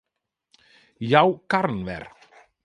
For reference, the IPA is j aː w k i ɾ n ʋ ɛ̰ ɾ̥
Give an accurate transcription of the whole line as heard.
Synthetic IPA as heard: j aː w k a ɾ n v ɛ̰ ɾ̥